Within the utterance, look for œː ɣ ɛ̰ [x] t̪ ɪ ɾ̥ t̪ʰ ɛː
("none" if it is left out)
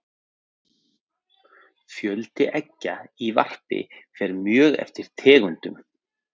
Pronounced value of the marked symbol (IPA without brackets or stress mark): f